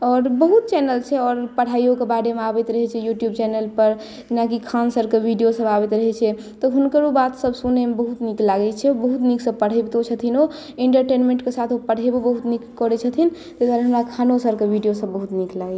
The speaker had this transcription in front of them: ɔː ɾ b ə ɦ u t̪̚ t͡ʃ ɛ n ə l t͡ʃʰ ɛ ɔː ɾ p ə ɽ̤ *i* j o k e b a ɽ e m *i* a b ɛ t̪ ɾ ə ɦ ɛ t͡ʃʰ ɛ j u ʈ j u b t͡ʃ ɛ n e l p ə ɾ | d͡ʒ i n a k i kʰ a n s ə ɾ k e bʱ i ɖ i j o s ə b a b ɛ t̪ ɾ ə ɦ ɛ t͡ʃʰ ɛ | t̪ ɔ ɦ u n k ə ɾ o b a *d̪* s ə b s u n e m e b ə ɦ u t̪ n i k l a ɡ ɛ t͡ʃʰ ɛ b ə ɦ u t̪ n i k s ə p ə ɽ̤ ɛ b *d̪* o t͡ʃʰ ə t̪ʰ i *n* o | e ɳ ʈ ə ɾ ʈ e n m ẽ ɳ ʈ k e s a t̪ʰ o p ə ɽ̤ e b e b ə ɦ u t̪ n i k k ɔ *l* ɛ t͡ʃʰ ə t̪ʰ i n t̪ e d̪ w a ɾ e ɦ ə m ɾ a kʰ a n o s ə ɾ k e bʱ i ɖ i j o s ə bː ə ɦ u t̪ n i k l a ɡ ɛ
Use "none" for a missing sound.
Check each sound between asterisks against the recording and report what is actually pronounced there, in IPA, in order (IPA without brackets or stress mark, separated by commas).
a, e, t̪, t̪, n, ɾ